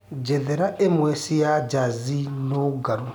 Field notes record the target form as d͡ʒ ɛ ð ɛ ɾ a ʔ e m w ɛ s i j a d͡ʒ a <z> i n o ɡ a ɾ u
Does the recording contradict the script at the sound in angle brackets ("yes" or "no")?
no